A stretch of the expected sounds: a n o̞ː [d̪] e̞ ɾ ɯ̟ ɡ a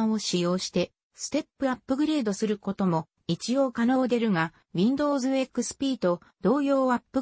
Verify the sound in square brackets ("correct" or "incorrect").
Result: correct